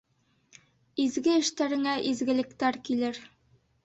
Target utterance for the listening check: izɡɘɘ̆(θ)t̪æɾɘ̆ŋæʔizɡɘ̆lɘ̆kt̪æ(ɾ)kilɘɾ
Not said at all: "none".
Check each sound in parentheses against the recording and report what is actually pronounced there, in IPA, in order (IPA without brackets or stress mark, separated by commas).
ʃ, ɾ